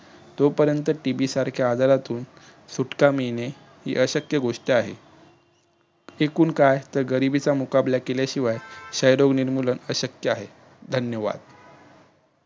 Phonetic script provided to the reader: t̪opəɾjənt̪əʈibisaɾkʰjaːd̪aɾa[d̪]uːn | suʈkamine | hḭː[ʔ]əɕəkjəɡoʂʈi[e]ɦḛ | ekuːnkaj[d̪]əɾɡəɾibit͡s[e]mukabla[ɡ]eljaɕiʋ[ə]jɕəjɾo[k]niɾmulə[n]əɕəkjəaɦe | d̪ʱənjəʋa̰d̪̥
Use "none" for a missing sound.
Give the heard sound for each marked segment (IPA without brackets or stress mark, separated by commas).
t̪, ʔ, a, t̪, a, k, a, ɡ, n